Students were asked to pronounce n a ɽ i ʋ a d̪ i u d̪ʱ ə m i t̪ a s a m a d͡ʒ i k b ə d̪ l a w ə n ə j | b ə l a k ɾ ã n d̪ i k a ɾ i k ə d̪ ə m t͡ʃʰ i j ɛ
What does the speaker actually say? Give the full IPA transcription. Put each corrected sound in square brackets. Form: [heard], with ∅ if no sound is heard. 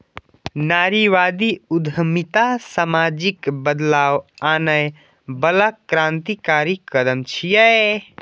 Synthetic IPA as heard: n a [ɾ] i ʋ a d̪ i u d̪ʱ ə m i t̪ a s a m a d͡ʒ i k b ə d̪ l a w [a] n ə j | b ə l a k ɾ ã n [t̪] i k a ɾ i k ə d̪ ə m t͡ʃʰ i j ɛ